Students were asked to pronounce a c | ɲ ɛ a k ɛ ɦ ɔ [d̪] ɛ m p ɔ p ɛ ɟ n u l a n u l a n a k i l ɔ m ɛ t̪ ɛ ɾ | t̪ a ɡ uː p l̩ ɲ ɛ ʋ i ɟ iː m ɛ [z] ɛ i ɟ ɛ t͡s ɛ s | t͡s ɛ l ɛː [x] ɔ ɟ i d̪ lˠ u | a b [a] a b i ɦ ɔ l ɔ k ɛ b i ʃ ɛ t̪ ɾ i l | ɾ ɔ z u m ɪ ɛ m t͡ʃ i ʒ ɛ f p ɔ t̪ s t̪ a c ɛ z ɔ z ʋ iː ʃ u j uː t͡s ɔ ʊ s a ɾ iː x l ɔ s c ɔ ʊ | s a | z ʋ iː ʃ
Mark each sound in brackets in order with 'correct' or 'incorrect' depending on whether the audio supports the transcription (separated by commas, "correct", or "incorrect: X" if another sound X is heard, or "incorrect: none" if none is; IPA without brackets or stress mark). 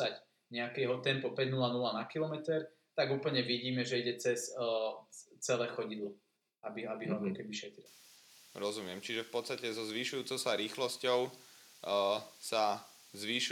incorrect: t̪, incorrect: ʒ, correct, incorrect: i